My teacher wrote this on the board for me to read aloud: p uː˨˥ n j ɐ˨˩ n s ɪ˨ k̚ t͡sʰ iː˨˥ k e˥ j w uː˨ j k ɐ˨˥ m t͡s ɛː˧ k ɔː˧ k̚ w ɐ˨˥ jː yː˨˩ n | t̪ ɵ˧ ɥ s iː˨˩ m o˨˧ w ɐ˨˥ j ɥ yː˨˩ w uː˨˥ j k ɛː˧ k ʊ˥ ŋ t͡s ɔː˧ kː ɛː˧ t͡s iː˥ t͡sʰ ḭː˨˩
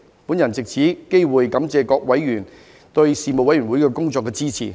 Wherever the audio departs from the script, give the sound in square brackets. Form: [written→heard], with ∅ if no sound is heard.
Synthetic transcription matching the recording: p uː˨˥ n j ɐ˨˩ n [s→t͡s] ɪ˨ k̚ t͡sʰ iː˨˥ k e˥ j w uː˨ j k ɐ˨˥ m t͡s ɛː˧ k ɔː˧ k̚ w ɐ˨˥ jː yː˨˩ n | t̪ ɵ˧ ɥ s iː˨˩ m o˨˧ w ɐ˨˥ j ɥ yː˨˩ w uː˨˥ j k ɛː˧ k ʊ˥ ŋ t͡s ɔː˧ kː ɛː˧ t͡s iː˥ t͡sʰ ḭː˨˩